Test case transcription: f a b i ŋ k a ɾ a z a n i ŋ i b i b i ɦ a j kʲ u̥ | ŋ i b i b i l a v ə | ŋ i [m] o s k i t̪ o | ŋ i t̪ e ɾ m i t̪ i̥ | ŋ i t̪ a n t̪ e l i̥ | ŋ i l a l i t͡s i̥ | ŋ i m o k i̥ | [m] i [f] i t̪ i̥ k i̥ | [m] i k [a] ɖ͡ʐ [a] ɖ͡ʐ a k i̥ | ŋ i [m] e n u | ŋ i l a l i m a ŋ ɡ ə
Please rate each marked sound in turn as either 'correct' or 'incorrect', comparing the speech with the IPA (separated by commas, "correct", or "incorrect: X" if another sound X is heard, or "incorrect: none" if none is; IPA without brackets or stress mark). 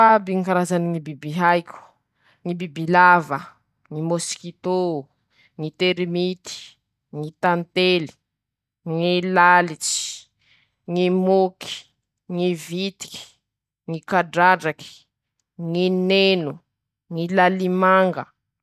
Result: correct, incorrect: ŋ, incorrect: v, incorrect: ŋ, correct, correct, incorrect: n